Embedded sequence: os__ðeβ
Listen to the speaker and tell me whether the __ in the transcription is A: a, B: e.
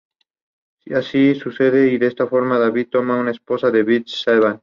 A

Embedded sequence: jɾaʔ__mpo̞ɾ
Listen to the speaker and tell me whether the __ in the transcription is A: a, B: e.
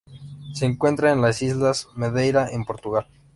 B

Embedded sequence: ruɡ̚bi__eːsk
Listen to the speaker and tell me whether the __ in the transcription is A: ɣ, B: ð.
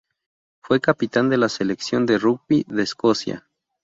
B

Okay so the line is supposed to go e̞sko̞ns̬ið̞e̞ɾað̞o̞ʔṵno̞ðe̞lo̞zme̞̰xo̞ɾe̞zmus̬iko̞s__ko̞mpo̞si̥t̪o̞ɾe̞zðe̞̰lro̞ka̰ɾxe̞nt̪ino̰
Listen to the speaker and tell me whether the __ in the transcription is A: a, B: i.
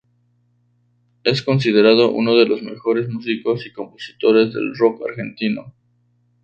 B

